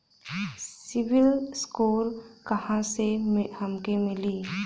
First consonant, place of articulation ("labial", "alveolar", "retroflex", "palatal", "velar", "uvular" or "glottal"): alveolar